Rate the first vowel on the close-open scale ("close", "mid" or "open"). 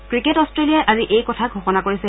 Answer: close